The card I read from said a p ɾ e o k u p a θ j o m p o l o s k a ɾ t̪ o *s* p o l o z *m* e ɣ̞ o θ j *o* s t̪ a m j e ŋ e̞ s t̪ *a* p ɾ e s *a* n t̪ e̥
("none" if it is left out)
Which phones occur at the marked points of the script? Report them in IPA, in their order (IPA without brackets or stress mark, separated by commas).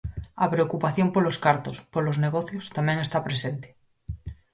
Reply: s, n, o, a, e